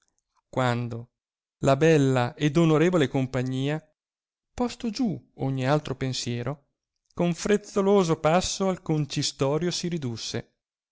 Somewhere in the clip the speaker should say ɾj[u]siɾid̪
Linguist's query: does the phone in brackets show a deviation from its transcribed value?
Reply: yes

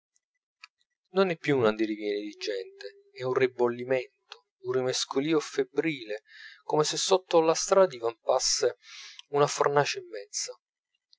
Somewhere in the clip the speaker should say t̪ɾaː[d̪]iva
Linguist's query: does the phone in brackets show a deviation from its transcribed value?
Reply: no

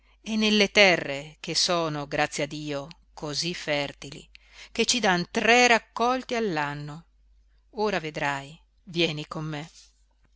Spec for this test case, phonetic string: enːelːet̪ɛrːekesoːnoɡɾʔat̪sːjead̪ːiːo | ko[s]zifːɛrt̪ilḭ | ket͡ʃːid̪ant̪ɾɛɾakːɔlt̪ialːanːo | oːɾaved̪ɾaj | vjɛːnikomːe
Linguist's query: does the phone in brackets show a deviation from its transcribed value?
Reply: yes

